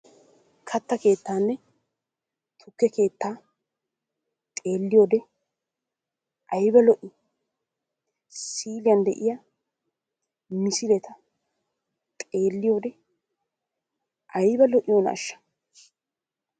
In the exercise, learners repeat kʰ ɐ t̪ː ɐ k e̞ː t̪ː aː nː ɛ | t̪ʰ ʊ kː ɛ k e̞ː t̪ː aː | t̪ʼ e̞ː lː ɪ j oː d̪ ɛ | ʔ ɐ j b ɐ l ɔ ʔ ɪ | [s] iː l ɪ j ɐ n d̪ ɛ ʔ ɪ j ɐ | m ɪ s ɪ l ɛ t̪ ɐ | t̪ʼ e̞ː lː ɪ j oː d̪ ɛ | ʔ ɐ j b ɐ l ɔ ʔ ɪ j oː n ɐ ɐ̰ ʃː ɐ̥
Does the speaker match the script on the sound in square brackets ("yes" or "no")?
yes